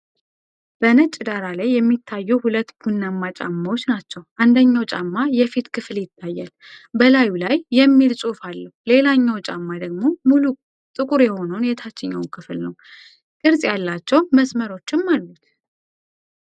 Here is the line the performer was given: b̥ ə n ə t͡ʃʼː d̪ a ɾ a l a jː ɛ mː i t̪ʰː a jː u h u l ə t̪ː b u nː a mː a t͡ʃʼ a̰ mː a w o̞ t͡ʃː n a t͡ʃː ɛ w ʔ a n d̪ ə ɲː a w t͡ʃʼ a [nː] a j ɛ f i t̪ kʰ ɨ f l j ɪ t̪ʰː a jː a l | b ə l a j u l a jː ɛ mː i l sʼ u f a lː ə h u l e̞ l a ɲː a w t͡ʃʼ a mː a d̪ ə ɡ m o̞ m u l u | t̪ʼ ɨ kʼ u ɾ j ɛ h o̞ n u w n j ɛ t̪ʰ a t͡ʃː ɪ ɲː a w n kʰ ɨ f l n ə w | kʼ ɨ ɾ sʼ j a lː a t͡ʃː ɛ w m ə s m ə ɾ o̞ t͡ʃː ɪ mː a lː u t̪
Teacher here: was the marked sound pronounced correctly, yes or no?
no